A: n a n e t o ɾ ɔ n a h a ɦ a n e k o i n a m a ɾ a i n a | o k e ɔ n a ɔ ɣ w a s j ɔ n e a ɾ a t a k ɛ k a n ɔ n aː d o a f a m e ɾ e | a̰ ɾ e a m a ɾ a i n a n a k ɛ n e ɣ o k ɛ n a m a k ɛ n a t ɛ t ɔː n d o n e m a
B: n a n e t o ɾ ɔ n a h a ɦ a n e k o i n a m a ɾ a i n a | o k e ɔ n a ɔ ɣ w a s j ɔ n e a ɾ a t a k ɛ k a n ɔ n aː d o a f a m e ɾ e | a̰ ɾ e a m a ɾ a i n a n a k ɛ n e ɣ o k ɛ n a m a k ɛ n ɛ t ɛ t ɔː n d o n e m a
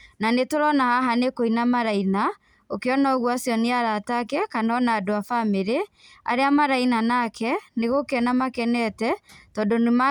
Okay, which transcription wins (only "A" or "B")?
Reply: B